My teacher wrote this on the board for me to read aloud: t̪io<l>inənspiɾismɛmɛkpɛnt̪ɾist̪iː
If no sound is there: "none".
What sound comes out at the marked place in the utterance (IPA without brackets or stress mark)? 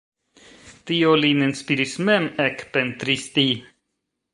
l